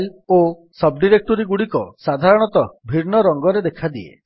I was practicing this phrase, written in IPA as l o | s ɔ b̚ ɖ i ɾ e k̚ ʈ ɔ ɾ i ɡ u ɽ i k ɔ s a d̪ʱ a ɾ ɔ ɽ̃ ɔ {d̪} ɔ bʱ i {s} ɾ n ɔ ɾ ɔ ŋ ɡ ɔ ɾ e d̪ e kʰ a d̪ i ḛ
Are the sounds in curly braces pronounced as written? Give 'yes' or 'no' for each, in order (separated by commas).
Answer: no, no